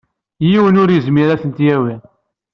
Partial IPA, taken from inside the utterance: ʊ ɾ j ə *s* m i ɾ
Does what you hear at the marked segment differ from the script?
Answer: yes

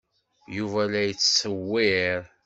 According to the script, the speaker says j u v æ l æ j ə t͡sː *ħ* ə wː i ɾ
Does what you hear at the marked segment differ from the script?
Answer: yes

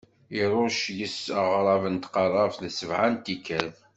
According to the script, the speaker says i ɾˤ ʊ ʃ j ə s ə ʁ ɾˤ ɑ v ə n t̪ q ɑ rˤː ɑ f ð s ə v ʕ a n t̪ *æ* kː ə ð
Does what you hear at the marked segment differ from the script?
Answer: yes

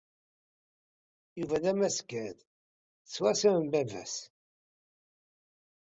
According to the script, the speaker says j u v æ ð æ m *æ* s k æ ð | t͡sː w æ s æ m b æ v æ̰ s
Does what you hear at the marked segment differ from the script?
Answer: no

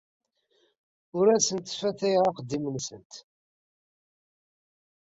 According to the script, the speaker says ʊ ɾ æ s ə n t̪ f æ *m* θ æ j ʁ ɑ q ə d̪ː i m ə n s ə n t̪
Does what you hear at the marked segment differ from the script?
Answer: yes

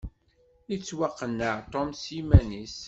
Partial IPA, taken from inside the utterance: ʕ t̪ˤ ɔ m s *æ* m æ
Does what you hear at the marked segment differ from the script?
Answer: yes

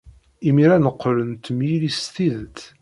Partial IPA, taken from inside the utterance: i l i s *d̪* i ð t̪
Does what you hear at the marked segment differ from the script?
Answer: yes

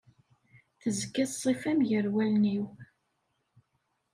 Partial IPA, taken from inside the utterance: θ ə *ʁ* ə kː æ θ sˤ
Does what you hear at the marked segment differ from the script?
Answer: yes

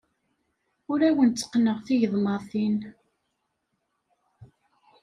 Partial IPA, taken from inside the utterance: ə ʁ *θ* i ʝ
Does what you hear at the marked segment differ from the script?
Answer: no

